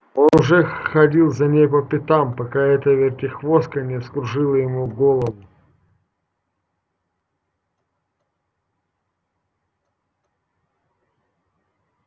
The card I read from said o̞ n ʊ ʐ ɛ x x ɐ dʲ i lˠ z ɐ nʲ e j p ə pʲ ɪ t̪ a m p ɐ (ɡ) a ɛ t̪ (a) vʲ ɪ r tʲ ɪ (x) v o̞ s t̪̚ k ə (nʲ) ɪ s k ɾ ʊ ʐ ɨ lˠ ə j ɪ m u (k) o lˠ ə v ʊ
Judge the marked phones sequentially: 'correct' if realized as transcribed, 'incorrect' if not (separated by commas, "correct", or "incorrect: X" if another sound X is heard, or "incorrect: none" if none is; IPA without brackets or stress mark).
incorrect: k, incorrect: ə, correct, correct, incorrect: ɡ